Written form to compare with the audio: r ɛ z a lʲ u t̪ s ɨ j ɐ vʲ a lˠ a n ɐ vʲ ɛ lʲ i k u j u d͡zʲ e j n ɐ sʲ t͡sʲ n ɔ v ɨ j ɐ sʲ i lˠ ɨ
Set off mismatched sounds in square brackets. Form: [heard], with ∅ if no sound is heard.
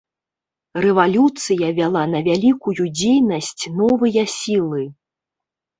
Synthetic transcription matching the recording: r ɛ [v] a lʲ u t̪ s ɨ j ɐ vʲ a lˠ a n ɐ vʲ [a] lʲ i k u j u d͡zʲ e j n ɐ sʲ t͡sʲ n ɔ v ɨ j ɐ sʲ i lˠ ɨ